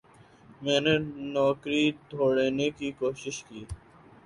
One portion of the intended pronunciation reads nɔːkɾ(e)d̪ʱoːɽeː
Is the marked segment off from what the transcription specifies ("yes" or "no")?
yes